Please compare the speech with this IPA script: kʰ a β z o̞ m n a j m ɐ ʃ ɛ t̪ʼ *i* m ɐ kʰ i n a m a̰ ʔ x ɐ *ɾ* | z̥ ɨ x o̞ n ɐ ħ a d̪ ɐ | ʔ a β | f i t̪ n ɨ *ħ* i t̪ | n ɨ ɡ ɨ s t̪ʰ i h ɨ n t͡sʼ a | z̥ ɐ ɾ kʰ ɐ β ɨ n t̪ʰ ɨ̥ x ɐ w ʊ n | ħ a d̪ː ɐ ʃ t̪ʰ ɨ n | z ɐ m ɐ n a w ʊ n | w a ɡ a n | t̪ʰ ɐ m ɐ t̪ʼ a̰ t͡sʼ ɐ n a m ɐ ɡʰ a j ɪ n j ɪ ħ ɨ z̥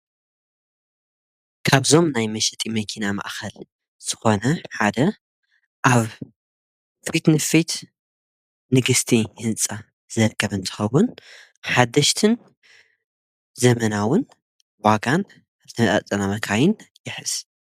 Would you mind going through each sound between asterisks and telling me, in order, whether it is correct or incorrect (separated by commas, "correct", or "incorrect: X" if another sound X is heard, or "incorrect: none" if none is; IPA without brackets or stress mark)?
correct, incorrect: l, incorrect: f